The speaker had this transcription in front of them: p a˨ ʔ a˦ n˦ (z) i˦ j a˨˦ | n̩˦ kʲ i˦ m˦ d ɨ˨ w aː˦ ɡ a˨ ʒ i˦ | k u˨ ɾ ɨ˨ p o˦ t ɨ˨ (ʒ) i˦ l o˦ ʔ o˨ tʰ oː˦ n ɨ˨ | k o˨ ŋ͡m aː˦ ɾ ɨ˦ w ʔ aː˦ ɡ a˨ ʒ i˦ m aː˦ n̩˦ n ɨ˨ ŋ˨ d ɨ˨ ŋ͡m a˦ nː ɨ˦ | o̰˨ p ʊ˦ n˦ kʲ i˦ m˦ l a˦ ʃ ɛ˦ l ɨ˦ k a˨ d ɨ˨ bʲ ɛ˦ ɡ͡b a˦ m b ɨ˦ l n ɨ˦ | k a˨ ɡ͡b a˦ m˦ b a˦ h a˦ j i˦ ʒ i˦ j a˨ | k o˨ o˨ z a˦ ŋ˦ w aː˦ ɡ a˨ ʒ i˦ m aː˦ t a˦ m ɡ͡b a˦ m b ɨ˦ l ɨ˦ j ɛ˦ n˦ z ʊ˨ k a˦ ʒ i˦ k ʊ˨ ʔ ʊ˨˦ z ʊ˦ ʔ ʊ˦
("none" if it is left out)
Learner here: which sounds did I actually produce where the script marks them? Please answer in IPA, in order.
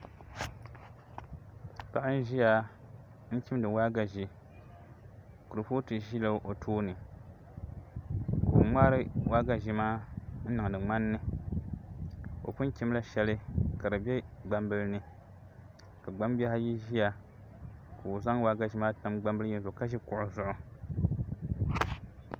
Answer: ʒ, ʒ

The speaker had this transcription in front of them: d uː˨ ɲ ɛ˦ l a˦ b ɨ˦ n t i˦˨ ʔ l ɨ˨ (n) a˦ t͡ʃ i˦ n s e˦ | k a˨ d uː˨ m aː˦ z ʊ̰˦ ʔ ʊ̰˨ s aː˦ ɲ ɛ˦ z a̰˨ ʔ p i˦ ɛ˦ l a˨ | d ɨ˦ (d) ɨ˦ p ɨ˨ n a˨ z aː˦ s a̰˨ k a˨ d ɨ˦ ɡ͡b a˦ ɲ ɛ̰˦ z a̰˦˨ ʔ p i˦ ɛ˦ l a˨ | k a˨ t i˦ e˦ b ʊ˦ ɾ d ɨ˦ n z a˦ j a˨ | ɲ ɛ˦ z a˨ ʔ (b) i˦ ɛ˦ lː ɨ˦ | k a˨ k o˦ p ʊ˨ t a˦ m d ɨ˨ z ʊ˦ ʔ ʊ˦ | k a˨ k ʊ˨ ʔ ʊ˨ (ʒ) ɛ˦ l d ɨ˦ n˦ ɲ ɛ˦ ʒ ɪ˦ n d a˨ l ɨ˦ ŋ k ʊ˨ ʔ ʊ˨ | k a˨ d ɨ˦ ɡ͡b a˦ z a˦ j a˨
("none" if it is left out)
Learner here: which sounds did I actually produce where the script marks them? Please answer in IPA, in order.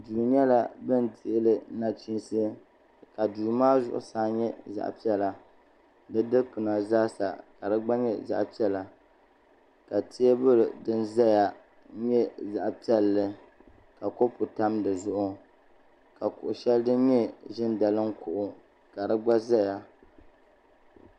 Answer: n, d, p, ʃ

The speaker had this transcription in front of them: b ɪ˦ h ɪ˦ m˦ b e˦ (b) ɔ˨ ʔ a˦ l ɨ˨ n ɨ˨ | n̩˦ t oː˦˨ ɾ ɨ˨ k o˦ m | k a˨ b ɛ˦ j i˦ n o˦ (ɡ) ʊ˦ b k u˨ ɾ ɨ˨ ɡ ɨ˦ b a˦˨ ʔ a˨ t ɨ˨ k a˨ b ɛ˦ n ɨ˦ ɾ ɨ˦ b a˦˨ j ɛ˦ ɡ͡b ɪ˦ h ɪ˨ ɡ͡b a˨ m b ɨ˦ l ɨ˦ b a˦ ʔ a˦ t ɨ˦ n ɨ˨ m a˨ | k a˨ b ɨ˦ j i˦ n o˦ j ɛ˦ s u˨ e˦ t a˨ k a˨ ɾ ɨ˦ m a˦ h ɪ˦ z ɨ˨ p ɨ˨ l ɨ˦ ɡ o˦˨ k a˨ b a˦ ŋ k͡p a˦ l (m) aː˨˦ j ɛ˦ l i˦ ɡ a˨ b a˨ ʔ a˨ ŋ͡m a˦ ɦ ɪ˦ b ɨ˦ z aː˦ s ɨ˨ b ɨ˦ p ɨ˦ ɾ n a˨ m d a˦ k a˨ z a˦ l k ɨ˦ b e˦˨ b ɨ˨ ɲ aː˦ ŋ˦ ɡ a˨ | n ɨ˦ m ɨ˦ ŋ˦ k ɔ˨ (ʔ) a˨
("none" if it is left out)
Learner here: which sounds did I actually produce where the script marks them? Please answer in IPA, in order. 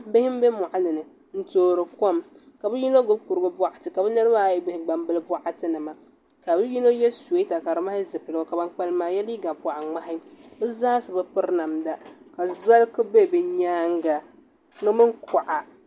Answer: m, ɡ, m, ʔ

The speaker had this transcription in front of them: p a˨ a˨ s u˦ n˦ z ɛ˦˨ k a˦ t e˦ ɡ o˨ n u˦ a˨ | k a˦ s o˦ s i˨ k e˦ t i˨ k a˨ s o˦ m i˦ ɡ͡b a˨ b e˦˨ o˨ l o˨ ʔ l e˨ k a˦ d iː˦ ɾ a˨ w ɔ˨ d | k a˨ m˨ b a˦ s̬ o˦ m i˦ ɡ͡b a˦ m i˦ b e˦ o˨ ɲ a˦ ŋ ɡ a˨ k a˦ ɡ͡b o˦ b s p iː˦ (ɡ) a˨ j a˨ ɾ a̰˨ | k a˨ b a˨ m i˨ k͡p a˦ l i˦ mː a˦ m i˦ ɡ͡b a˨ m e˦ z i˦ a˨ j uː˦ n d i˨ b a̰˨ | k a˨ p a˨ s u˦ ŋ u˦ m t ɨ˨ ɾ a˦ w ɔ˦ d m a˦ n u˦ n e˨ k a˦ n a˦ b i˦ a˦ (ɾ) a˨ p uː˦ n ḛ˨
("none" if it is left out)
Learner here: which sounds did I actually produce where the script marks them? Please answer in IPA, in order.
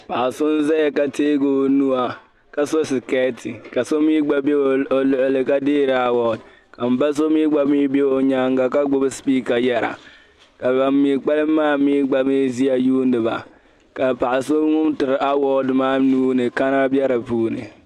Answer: k, ɾ

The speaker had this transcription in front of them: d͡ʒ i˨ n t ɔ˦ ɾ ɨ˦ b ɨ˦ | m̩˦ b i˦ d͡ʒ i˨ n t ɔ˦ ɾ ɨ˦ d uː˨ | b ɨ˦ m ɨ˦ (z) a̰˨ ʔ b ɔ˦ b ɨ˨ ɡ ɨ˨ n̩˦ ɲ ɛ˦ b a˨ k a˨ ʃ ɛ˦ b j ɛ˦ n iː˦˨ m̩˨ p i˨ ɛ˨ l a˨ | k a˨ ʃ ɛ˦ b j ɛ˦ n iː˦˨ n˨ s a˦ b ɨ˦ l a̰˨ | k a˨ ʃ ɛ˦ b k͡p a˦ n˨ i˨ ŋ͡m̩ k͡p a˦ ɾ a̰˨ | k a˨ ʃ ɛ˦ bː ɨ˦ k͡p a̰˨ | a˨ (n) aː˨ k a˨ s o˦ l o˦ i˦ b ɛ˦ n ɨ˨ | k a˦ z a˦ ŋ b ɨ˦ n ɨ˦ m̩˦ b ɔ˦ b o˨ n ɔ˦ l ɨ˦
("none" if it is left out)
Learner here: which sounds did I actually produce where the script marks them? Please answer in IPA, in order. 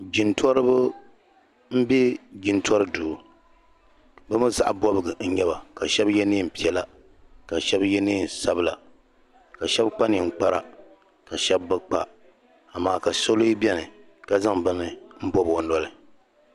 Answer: z, m

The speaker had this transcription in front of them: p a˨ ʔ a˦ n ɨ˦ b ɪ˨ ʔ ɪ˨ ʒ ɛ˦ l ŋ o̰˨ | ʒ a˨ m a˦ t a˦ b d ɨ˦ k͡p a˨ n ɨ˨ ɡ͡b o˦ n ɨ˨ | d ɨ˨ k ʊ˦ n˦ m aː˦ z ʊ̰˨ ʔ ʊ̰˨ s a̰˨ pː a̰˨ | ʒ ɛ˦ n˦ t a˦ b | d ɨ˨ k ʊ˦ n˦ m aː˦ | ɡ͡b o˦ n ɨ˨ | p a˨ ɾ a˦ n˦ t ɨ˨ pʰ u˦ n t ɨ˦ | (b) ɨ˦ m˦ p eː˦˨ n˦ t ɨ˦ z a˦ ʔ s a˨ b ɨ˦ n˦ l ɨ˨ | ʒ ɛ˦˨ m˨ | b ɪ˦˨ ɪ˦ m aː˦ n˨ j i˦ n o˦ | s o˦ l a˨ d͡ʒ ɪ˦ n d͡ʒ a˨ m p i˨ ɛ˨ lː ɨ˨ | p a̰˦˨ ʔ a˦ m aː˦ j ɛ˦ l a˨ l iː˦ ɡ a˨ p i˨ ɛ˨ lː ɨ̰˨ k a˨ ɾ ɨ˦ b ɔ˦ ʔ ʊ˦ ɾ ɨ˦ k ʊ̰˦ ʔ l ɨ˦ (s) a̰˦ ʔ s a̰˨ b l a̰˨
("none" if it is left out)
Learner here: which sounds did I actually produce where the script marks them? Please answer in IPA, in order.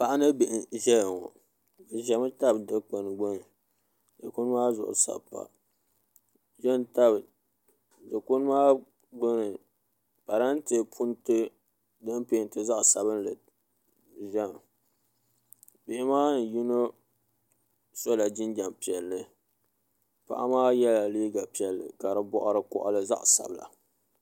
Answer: d, z

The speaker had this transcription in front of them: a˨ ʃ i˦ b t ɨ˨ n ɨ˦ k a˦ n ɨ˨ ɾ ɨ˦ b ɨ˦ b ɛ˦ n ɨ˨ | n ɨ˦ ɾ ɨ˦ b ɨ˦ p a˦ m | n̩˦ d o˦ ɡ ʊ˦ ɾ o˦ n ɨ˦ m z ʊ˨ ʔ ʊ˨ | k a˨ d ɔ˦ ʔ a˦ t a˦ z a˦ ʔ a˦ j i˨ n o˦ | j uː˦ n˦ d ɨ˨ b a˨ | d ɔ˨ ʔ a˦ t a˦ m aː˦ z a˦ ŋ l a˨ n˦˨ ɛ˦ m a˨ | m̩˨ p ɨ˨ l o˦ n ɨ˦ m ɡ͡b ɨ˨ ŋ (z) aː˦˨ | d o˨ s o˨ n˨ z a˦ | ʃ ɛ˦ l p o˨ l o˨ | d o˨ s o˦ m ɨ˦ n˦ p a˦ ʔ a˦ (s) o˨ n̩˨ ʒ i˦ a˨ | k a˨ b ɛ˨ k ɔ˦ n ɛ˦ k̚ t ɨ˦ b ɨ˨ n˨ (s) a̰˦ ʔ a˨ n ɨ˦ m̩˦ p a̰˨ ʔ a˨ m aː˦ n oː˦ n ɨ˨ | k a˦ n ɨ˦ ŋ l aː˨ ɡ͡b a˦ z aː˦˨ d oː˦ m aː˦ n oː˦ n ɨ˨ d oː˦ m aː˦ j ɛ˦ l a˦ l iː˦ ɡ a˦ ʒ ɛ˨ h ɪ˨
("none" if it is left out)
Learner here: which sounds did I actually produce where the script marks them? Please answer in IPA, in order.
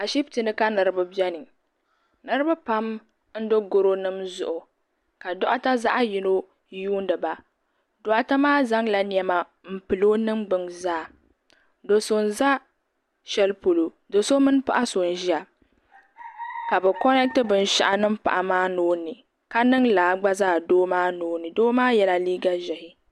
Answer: z, s, ʃ

